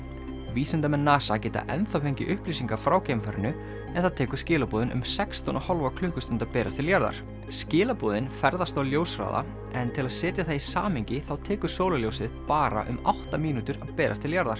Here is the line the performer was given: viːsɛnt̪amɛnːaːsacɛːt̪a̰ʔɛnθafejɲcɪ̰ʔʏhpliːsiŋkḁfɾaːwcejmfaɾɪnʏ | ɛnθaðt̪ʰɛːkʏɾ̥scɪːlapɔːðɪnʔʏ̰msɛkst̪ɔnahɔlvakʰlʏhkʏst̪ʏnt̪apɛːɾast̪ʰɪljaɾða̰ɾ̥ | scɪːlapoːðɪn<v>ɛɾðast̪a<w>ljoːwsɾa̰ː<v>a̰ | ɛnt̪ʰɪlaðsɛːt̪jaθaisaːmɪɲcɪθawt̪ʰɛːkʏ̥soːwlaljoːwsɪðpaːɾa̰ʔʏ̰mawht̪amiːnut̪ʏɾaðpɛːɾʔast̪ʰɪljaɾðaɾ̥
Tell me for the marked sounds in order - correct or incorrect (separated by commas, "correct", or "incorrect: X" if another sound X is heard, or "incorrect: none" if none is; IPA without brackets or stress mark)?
incorrect: f, correct, incorrect: ð